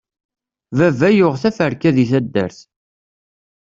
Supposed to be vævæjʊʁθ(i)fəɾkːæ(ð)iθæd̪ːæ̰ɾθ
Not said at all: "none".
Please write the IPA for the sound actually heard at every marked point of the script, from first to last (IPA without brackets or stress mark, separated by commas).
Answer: æ, ð